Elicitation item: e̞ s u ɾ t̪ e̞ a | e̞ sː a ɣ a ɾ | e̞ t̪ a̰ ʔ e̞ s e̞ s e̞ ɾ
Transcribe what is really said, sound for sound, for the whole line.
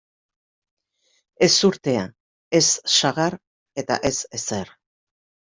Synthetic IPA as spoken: e̞ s u ɾ t̪ e̞ a | e̞ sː a ɣ a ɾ | e̞ t̪ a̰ ʔ e̞ s e̞ s e̞ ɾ